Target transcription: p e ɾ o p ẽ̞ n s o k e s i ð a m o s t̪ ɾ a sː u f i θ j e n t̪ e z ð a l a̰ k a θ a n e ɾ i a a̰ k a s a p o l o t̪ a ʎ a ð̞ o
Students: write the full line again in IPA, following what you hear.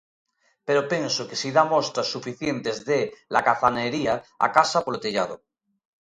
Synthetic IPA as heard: p e ɾ o p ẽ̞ n s o k e s i ð a m o s t̪ ɾ a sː u f i θ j e n t̪ e z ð e l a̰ k a θ a n e ɾ i a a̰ k a s a p o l o t̪ e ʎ a ð̞ o

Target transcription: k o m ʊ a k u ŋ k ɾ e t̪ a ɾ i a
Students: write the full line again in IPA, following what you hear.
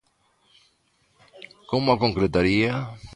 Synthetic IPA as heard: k o m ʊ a k o ŋ k ɾ e t̪ a ɾ i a

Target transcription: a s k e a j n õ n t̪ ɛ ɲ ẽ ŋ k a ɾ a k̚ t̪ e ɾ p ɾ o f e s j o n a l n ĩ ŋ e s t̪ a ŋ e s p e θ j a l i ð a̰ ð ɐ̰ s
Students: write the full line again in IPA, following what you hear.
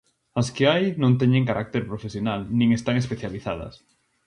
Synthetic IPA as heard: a s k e a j n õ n t̪ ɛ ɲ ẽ ŋ k a ɾ a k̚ t̪ e ɾ p ɾ o f e s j o n a l n ĩ ŋ e s t̪ a ŋ e s p e θ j a l i θ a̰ ð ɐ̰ s

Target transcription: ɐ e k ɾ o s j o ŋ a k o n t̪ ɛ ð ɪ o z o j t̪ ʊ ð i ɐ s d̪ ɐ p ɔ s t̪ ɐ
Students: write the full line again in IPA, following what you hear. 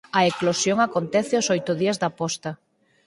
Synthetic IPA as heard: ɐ e k l o s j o ŋ a k o n t̪ ɛ θ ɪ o s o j t̪ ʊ ð i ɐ z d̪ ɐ p ɔ s t̪ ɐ

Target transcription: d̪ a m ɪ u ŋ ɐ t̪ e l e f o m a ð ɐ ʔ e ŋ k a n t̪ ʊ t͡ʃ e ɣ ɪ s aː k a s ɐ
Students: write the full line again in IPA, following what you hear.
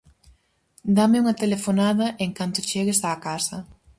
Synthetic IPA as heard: d̪ a m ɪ u ŋ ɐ t̪ e l e f o n a ð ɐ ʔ e ŋ k a n t̪ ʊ t͡ʃ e ɣ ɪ s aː k a s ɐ

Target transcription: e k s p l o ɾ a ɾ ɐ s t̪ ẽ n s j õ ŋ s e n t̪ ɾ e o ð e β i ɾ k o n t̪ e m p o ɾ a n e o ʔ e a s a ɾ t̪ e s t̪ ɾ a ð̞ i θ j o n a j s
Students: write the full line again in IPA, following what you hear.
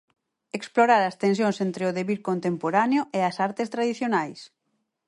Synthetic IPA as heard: e k s p l o ɾ a ɾ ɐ s t̪ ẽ n s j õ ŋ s e n t̪ ɾ e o ð e β i ɾ k o n t̪ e m p o ɾ a n e o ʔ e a s a ɾ t̪ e s t̪ ɾ a ð̞ i θ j o n a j s

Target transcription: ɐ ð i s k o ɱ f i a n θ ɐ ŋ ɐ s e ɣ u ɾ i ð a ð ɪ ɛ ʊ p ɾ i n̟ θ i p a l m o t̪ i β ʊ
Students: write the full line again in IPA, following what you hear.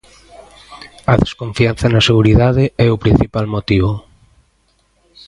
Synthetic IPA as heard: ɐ ð e s k o ɱ f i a n θ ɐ n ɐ s e ɣ u ɾ i ð a ð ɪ ɛ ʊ p ɾ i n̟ θ i p a l m o t̪ i β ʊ

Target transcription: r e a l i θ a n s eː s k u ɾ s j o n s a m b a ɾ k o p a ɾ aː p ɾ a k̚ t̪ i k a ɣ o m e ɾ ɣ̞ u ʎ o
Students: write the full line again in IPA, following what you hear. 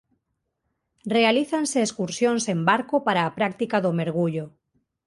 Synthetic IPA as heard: r e a l i θ a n s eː s k u ɾ s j o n s e m b a ɾ k o p a ɾ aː p ɾ a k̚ t̪ i k a ð o m e ɾ ɣ̞ u ʎ o

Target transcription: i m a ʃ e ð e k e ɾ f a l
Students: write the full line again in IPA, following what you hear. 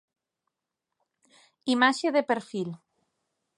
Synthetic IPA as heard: i m a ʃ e ð e p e ɾ f i l

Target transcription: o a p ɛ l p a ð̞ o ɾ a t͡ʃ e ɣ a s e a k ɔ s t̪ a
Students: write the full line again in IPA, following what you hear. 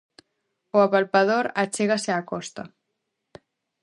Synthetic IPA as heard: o a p a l p a ð̞ o ɾ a t͡ʃ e ɣ a s e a k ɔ s t̪ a

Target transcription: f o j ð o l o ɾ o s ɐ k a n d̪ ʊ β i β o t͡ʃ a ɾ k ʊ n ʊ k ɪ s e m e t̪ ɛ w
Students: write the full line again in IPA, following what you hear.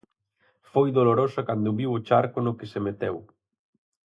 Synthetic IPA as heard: f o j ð o l o ɾ o s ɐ k a n d̪ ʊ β i w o t͡ʃ a ɾ k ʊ n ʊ k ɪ s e m e t̪ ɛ w

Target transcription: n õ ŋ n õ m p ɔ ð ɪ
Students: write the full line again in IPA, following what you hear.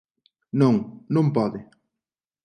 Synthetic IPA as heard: n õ ŋ n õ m p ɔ ð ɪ

